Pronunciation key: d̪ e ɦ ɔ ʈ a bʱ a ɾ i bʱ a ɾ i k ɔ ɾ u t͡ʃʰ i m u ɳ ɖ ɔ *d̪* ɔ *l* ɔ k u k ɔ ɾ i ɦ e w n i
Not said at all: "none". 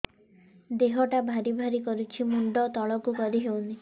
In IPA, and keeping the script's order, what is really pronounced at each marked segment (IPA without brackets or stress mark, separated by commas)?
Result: t̪, ɭ